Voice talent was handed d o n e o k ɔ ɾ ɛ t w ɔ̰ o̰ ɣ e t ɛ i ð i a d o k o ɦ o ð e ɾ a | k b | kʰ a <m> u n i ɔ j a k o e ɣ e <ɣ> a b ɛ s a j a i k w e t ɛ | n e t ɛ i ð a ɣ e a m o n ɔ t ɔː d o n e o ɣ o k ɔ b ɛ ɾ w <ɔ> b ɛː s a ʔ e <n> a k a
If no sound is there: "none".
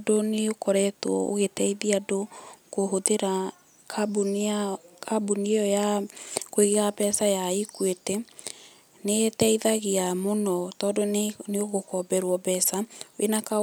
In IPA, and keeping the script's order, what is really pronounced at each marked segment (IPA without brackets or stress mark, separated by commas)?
b, ɣ, ɔ, n